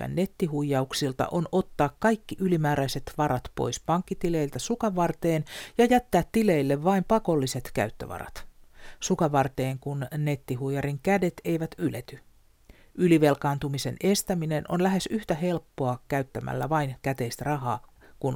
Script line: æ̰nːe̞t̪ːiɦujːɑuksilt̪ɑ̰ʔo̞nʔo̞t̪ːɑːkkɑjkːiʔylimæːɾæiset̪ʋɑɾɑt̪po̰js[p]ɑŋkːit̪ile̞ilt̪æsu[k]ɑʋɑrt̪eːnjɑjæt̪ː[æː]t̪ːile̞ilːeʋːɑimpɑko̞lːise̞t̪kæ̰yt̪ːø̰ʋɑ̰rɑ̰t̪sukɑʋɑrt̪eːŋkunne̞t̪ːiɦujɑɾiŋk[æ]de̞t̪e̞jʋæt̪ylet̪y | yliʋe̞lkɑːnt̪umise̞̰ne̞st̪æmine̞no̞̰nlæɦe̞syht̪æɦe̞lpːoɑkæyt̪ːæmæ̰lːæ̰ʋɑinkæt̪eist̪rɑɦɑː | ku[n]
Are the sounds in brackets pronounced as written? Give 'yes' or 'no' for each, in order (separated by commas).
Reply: yes, yes, yes, yes, yes